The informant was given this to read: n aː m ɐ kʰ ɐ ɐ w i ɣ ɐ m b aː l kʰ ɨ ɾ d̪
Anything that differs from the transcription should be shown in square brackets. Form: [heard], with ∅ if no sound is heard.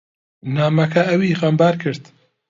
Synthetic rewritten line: n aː m ɐ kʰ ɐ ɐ w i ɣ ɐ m b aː [ɾ] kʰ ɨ ɾ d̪